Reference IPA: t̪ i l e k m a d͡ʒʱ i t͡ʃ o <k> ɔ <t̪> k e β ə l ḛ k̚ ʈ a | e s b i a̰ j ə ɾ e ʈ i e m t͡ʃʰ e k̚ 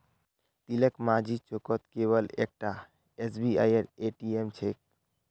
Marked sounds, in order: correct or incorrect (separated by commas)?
correct, correct